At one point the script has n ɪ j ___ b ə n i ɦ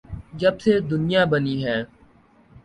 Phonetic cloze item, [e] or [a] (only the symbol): a